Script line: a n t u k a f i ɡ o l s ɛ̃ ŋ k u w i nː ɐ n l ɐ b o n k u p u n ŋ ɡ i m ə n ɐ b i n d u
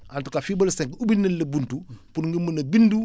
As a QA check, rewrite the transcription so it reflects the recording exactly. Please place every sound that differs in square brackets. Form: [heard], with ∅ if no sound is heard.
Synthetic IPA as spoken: a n t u k a f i [b] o l s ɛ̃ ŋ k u [b] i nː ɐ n l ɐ b [u] n [t] u p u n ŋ ɡ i m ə n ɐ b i n d u